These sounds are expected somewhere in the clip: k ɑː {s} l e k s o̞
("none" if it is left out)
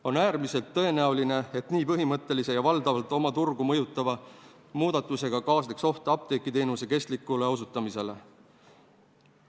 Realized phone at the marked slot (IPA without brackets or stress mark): s